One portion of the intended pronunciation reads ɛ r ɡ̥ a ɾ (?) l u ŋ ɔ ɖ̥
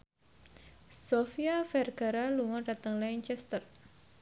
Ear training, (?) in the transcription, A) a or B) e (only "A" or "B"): A